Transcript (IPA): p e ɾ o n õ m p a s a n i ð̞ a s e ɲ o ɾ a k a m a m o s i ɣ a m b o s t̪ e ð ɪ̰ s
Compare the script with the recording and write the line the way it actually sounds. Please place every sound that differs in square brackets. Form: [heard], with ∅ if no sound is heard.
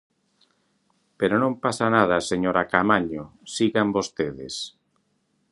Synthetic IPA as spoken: p e ɾ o n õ m p a s a n [a] ð̞ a s e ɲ o ɾ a k a m a [ɲ] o s i ɣ a m b o s t̪ e ð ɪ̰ s